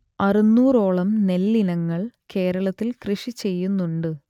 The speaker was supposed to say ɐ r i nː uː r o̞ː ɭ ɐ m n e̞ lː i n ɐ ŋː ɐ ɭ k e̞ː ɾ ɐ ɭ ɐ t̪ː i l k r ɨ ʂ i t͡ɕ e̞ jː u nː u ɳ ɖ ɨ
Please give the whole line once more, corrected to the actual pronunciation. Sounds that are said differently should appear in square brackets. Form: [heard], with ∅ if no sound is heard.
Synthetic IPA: ɐ r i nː uː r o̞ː ɭ ɐ m n e̞ lː i n ɐ ŋː ɐ ɭ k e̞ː ɾ ɐ ɭ ɐ t̪ː i l k r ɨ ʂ i t͡ɕ e̞ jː u nː u ɳ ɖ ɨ